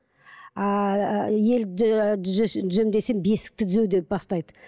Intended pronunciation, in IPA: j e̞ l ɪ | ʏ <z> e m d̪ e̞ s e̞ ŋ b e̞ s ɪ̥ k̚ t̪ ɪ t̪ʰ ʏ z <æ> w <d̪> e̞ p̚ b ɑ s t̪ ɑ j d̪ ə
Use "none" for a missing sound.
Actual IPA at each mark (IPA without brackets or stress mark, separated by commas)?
z, e, d̪